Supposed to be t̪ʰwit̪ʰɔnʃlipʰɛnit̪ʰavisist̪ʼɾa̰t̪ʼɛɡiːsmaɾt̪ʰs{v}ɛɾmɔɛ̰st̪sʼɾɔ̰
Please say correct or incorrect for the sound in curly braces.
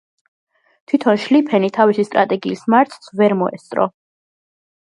correct